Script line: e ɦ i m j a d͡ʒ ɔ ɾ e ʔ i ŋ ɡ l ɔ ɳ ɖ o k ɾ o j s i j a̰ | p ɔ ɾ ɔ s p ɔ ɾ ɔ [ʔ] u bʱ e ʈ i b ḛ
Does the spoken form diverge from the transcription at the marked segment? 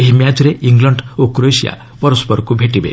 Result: yes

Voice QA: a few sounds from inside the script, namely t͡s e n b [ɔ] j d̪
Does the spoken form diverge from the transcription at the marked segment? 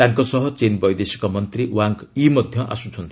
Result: yes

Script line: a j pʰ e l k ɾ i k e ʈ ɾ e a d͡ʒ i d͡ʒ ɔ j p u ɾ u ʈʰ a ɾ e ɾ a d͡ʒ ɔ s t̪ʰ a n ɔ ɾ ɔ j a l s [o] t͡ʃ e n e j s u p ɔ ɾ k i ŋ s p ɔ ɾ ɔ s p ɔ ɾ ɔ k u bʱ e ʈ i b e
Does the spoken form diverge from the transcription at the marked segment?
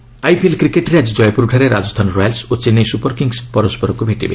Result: no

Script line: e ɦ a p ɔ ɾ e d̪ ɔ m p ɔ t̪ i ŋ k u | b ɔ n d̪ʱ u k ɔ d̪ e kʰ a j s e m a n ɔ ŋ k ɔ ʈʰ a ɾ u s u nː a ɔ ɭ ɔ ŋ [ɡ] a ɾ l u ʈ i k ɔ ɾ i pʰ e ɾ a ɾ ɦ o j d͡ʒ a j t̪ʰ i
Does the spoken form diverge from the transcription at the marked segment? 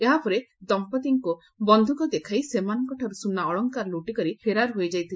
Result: yes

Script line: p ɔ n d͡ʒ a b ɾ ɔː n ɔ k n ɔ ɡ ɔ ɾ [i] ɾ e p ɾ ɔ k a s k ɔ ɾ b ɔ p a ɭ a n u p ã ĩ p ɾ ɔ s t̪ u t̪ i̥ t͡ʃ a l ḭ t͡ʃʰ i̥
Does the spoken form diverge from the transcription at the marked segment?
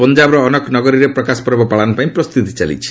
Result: no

